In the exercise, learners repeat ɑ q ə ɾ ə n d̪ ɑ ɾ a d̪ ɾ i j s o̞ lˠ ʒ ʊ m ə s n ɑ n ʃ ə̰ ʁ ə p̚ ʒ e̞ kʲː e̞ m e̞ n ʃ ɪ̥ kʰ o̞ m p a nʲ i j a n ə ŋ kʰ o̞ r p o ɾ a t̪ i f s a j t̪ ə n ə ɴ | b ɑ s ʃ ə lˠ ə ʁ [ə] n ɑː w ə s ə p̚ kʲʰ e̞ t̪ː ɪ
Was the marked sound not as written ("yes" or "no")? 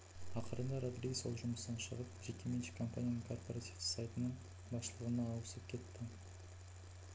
no